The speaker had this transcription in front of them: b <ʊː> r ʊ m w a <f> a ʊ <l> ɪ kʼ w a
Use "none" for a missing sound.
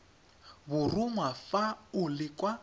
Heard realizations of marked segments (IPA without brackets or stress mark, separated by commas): ʊ, f, l